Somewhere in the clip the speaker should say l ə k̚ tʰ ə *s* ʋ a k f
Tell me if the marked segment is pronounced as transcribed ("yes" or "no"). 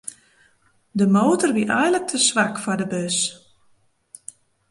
yes